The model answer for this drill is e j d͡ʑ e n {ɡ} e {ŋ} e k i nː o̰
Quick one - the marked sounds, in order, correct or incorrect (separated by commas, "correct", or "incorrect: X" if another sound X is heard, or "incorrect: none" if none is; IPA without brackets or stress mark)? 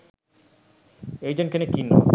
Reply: incorrect: k, incorrect: n